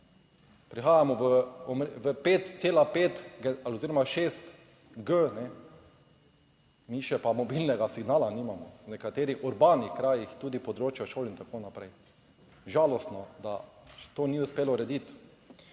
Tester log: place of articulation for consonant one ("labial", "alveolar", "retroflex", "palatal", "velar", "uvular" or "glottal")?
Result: labial